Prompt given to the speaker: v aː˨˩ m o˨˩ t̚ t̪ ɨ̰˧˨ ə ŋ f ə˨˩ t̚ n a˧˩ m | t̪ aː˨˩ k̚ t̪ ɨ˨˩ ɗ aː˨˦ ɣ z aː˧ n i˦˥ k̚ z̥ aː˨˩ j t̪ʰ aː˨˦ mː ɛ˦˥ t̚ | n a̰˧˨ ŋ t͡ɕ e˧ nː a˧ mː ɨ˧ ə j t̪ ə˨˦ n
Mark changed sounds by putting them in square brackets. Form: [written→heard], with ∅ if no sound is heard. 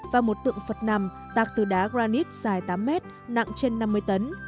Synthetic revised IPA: v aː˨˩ m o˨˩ t̚ t̪ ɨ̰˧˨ ə ŋ f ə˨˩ t̚ n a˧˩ m | t̪ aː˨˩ k̚ t̪ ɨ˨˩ ɗ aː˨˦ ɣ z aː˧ n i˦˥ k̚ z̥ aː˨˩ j [t̪ʰ→t̪] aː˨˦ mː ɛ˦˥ t̚ | n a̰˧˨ ŋ t͡ɕ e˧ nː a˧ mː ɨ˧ ə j t̪ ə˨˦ n